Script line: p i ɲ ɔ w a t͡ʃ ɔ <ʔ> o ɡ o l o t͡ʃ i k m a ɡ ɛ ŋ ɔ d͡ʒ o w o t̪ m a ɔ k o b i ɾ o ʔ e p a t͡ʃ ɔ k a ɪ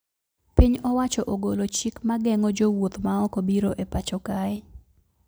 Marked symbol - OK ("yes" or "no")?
yes